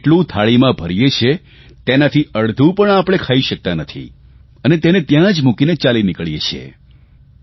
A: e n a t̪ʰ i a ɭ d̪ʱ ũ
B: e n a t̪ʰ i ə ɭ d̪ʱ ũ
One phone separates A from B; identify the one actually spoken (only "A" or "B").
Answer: B